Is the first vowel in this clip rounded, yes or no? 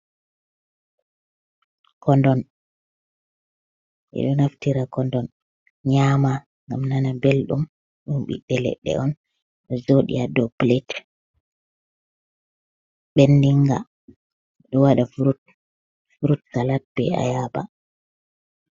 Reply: yes